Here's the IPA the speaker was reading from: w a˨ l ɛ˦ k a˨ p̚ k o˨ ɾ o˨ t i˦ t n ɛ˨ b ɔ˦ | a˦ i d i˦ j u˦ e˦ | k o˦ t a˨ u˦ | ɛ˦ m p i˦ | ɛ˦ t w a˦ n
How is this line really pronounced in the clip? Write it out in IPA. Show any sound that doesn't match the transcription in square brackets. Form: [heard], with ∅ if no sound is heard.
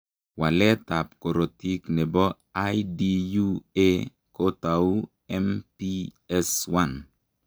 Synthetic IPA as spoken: w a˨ l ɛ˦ [t] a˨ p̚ k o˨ ɾ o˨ t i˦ [k] n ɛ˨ b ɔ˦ | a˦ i d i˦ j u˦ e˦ | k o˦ t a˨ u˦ | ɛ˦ m p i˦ | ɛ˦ [s] w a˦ n